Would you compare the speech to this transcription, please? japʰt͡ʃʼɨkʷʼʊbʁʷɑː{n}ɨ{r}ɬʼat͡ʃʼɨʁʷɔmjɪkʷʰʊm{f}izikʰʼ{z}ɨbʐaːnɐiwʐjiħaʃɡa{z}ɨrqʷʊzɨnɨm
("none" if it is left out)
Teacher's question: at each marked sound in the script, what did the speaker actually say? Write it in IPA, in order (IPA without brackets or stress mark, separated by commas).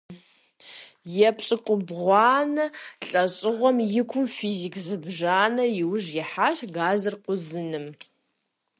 n, none, f, z, z